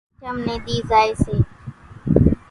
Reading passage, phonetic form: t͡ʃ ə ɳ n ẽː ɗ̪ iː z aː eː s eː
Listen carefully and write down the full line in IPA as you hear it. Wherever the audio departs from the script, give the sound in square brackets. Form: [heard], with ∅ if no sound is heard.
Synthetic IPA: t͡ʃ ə [m] n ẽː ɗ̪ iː z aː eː s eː